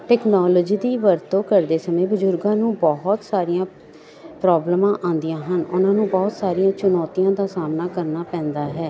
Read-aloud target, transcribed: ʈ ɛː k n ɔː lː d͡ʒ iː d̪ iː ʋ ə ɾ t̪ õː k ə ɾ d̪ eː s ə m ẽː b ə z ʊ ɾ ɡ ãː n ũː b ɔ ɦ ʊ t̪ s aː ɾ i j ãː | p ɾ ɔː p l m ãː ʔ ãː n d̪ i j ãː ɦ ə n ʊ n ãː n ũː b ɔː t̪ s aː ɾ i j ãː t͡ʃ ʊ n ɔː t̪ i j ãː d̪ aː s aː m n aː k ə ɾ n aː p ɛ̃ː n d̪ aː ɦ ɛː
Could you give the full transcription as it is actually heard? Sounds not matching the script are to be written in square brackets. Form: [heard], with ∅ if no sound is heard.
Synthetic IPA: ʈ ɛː k n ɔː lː d͡ʒ iː d̪ iː ʋ ə ɾ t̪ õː k ə ɾ d̪ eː s ə m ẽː b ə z ʊ ɾ ɡ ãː n ũː b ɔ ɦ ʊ t̪ s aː ɾ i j ãː | p ɾ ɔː [b] l m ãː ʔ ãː n d̪ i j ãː ɦ ə n ʊ n ãː n ũː b ɔː t̪ s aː ɾ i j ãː t͡ʃ ʊ n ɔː t̪ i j ãː d̪ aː s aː m n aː k ə ɾ n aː p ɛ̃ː n d̪ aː ɦ ɛː